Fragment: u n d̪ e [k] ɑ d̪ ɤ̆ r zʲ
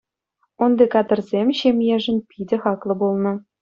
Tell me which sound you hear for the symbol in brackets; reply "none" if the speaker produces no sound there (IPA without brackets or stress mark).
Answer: k